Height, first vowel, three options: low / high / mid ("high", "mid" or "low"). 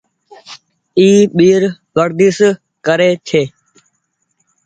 high